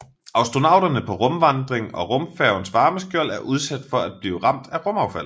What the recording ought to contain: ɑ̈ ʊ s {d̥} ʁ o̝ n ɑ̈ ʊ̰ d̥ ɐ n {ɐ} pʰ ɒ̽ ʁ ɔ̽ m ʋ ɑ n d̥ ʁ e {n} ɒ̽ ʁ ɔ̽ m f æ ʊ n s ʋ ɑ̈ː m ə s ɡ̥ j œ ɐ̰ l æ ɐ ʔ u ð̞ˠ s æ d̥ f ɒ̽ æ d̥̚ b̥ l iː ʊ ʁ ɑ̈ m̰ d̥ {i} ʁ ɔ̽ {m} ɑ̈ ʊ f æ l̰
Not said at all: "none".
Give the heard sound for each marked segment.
d̥, ə, ŋ, æ, m

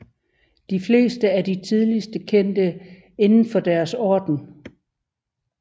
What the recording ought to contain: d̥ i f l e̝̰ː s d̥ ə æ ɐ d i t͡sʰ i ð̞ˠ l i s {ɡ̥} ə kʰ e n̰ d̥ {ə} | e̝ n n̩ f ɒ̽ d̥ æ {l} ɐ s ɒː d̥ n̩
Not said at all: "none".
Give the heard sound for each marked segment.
d̥, ə, none

